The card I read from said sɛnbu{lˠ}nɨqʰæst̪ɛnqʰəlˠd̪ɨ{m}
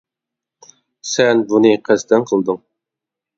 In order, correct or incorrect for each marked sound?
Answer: incorrect: none, incorrect: ŋ

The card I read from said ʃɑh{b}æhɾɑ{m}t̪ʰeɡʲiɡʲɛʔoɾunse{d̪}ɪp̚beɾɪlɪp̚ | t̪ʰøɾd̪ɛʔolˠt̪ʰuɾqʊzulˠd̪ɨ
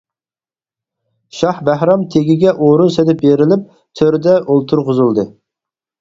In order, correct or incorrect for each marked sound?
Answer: correct, correct, correct

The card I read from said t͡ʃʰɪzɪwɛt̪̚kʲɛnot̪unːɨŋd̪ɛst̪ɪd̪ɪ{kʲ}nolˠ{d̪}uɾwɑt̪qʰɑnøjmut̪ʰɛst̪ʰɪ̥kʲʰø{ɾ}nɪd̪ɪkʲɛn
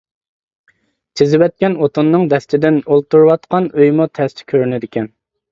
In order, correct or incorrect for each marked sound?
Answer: incorrect: none, incorrect: t̪, correct

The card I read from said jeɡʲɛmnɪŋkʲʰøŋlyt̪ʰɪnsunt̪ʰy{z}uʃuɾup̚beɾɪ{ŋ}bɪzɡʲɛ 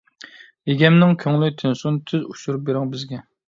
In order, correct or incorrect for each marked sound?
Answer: correct, correct

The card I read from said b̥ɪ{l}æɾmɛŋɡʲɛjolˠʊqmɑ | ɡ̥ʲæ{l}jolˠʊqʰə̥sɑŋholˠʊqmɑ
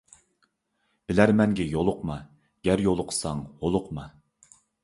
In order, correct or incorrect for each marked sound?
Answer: correct, incorrect: ɾ

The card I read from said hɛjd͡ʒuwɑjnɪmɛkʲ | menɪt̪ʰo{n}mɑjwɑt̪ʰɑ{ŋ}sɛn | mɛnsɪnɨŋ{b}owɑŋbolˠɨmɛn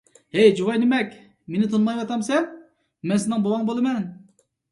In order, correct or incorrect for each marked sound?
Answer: correct, incorrect: m, correct

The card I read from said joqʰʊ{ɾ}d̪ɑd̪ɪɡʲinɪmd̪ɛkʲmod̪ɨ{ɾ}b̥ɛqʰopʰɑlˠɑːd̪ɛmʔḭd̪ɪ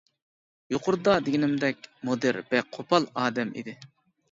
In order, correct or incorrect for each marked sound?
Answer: correct, correct

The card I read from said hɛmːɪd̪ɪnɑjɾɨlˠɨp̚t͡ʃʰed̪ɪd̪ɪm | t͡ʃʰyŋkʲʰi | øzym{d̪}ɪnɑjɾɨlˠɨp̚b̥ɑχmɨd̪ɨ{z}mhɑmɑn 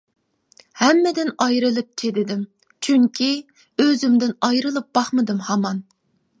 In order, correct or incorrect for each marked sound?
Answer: correct, incorrect: none

